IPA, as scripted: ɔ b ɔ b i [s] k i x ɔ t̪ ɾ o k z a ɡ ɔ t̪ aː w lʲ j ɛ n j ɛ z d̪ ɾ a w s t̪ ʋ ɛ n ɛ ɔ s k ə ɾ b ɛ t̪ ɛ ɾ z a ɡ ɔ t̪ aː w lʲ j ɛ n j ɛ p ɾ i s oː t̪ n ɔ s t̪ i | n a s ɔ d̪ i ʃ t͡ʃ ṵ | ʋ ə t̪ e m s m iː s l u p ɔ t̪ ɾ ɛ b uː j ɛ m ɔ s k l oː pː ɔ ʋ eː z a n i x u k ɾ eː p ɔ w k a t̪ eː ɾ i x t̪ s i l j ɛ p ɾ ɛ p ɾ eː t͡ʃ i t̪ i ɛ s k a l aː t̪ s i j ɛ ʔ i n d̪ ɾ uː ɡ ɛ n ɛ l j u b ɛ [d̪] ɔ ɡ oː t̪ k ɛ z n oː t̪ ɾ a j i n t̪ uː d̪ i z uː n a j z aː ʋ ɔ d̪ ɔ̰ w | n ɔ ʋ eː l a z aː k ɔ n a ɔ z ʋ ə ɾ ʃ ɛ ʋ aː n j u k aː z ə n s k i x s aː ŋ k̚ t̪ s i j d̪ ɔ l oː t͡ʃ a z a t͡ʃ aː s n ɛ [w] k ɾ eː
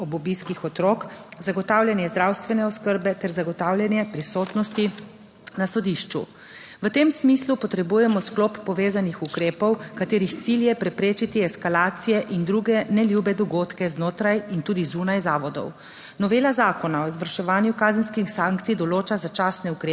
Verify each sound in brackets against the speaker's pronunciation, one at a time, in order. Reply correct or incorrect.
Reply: correct, correct, incorrect: u

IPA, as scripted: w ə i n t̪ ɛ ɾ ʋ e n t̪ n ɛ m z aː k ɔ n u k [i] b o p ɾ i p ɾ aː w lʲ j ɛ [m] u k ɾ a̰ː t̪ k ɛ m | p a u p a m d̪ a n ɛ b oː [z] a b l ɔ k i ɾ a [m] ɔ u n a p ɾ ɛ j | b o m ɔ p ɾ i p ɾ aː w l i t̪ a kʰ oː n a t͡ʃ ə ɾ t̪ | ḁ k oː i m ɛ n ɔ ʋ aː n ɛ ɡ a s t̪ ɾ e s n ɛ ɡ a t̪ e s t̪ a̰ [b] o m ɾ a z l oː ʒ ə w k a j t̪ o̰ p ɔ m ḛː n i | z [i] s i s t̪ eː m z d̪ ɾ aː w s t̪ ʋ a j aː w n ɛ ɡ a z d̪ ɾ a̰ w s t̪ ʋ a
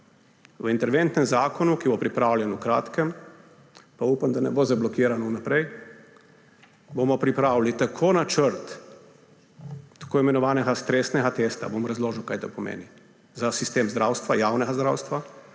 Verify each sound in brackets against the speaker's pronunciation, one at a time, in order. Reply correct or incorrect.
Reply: correct, incorrect: n, correct, incorrect: n, correct, incorrect: a

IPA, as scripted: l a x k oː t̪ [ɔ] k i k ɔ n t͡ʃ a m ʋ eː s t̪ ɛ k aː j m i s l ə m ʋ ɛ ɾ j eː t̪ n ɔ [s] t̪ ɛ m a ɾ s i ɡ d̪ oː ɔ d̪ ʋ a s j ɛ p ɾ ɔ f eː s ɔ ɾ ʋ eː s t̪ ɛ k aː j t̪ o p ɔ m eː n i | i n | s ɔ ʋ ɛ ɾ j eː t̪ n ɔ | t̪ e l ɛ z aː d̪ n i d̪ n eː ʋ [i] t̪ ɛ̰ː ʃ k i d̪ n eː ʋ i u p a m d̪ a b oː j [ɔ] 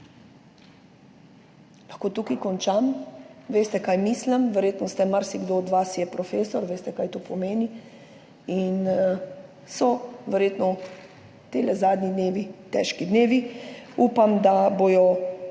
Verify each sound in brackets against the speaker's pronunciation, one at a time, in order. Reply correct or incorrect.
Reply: incorrect: u, correct, correct, correct

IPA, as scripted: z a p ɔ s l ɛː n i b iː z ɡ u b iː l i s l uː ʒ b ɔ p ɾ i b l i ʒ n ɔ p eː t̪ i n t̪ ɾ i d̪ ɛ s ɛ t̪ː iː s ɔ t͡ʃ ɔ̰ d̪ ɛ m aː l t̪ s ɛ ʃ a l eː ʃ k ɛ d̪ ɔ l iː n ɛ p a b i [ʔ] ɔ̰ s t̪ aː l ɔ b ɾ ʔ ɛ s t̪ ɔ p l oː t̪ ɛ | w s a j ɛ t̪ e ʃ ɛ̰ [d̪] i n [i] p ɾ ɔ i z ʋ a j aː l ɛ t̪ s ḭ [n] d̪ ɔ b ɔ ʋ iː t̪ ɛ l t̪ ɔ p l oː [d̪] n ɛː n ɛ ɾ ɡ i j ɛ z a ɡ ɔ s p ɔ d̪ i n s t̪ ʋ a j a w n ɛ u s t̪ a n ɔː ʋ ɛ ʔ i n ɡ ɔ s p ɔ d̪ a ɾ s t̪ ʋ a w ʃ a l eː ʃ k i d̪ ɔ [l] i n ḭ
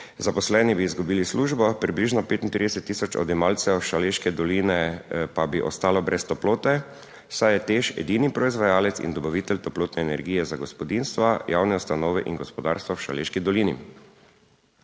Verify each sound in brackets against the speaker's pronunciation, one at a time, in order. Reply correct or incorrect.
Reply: correct, correct, correct, correct, incorrect: t̪, correct

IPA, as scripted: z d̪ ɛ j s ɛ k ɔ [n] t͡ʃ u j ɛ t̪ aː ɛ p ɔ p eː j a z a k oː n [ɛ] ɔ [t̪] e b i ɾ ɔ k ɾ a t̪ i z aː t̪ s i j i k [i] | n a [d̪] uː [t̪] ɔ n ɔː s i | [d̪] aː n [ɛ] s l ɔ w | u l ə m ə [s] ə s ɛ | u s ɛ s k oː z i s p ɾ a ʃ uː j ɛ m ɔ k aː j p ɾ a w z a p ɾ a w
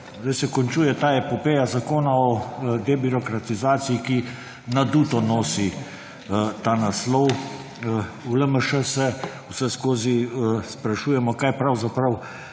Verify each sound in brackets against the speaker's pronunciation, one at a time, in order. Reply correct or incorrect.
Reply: correct, incorrect: a, incorrect: d̪, correct, correct, correct, incorrect: t̪, incorrect: a, incorrect: ʃ

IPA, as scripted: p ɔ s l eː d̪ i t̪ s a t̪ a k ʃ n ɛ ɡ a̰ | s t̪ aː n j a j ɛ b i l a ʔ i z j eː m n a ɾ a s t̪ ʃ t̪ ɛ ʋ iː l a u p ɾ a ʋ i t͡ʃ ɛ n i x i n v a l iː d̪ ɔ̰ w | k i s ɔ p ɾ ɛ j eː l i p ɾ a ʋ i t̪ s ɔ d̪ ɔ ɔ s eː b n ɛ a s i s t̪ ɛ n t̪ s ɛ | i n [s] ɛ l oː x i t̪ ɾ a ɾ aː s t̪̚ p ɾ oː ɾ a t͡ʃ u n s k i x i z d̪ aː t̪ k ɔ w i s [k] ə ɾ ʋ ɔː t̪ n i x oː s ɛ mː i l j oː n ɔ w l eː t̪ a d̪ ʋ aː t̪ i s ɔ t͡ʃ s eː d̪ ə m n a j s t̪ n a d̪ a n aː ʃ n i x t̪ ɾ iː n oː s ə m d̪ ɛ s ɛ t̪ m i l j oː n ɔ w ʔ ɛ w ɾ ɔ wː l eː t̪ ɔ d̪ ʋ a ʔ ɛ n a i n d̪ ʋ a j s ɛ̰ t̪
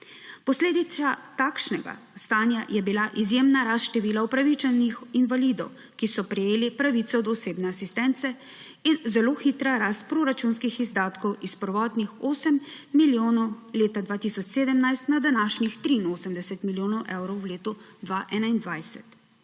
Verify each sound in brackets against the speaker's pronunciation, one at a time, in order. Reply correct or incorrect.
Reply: incorrect: z, incorrect: p

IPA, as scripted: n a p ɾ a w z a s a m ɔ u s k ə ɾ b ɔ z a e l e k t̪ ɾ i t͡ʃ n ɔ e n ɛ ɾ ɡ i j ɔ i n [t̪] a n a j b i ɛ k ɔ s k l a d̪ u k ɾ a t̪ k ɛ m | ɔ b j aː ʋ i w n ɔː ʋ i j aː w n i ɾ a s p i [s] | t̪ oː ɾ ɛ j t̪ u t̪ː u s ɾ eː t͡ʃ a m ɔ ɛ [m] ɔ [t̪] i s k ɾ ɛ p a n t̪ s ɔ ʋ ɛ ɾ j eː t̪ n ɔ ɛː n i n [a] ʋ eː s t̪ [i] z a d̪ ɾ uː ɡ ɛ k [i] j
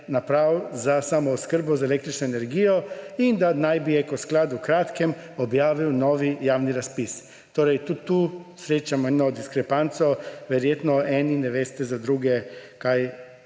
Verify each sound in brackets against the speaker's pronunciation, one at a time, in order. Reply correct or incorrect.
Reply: incorrect: d̪, correct, incorrect: n, incorrect: d̪, incorrect: ɛ, incorrect: ɛ, incorrect: a

